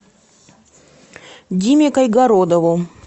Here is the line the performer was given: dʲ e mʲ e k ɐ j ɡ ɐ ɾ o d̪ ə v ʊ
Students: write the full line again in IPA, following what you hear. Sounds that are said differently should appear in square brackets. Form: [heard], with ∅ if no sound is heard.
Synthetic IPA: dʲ [i] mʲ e k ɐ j ɡ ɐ ɾ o d̪ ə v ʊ